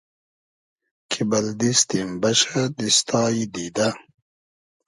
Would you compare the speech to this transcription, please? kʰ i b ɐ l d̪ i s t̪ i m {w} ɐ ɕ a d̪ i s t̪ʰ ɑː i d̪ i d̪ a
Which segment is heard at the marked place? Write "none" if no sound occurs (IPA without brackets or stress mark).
b